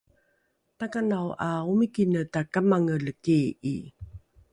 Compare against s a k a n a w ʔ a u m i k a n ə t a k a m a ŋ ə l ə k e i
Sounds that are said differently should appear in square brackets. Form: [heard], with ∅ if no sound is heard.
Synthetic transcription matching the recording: [t] a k a n a w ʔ a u m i k [i] n ə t a k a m a ŋ ə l ə k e i